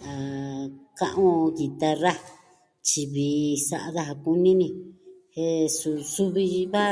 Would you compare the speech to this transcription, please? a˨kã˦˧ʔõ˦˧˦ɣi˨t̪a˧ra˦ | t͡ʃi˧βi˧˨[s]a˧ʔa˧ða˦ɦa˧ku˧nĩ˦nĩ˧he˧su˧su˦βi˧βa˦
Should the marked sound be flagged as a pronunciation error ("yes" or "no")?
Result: no